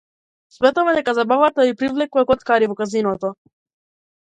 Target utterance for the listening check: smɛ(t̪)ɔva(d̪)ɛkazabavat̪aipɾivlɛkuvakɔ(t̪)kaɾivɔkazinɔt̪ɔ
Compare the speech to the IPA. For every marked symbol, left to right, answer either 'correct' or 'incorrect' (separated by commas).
correct, correct, correct